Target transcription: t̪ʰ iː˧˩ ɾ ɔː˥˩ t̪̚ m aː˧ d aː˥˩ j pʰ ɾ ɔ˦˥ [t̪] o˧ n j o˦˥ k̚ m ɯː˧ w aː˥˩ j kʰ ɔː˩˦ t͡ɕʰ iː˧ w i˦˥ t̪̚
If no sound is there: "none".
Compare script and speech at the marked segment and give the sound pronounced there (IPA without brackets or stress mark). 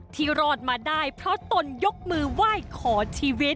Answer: t̪